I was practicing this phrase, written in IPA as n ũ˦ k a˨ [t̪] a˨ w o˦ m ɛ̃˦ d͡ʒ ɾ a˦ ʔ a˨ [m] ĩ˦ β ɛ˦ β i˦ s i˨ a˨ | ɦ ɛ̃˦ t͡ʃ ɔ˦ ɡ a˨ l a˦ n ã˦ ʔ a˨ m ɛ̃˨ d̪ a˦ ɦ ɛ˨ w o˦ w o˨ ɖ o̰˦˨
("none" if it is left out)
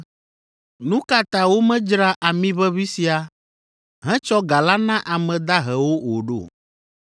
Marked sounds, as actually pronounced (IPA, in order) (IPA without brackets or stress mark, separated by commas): t̪, m